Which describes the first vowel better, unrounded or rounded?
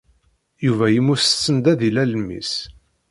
rounded